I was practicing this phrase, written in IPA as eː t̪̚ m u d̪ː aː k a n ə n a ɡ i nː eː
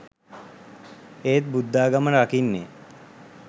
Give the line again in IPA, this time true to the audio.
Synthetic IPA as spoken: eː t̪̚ b u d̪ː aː ɡ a m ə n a k i nː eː